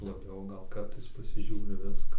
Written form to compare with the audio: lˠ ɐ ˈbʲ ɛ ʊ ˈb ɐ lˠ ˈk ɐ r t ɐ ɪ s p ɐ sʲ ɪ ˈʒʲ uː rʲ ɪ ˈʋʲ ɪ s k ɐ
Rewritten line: lˠ ɐ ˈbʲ ɛ ʊ ˈɡ ɐ lˠ ˈk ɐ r t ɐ ɪ s p ɐ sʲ ɪ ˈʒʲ uː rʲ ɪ ˈʋʲ ɪ s k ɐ